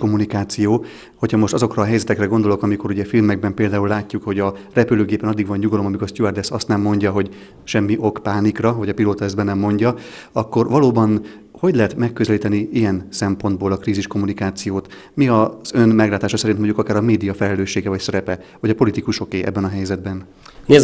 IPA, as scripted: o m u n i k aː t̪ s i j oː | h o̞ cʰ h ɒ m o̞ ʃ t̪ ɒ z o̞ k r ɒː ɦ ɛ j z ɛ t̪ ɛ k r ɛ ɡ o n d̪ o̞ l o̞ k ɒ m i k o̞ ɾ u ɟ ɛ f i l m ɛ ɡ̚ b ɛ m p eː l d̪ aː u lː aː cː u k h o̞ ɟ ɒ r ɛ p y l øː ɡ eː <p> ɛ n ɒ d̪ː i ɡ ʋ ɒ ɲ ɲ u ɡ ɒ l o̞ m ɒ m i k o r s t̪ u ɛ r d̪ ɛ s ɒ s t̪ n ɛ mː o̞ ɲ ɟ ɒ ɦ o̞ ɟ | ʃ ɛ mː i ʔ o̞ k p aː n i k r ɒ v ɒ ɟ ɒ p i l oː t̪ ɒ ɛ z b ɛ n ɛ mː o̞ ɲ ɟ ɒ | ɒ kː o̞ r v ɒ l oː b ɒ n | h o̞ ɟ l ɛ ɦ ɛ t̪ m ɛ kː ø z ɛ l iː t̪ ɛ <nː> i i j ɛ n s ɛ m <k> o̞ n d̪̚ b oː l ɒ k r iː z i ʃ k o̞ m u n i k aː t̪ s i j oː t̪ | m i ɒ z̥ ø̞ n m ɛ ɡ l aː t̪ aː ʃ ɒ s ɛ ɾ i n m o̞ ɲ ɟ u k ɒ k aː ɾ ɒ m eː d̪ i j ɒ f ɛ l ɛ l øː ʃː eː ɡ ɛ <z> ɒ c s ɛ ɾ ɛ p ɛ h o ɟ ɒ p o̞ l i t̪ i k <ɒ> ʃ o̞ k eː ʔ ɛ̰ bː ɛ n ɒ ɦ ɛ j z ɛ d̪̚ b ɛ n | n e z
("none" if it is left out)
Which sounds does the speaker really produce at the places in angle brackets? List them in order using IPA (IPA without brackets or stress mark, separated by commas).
p, n, p, v, u